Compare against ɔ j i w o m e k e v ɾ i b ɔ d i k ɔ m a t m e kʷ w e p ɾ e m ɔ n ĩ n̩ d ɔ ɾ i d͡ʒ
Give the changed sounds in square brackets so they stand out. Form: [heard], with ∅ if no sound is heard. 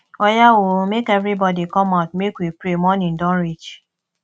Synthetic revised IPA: ɔ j [a] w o m e k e v ɾ i b ɔ d i k ɔ m a t m e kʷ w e p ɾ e m ɔ n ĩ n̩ d ɔ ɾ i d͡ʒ